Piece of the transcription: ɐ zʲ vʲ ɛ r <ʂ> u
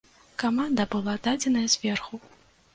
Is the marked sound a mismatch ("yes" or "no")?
yes